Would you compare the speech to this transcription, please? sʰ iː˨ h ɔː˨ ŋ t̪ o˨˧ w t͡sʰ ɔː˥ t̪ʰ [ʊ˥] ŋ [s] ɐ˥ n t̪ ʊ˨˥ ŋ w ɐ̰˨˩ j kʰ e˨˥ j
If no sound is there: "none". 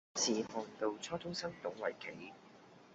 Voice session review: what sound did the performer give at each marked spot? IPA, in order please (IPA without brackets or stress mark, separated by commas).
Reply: ʊ˥, s